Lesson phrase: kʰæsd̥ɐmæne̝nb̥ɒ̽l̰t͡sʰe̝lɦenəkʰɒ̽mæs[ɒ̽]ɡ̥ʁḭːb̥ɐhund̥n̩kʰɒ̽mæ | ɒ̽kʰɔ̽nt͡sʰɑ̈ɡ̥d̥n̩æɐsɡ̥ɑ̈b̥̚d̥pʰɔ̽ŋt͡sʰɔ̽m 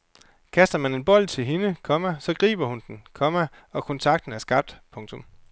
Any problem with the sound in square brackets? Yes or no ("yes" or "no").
no